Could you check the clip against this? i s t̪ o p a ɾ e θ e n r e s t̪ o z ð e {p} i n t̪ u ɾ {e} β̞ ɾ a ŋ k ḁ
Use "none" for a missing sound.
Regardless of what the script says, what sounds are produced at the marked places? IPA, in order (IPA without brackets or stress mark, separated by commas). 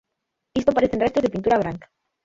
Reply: p, a